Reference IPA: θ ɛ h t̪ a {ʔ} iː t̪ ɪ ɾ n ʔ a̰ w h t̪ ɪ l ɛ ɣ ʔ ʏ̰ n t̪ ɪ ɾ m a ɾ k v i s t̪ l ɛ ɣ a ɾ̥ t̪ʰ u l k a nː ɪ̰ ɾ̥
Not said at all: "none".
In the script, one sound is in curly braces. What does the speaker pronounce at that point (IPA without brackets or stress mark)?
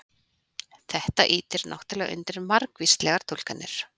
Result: ʔ